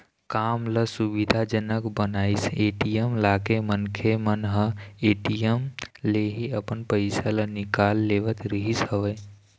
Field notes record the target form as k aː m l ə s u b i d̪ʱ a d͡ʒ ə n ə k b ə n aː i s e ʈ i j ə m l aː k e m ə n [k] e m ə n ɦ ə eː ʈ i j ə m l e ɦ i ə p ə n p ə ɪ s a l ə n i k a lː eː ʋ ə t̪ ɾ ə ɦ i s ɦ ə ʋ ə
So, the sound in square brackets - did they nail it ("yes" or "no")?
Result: no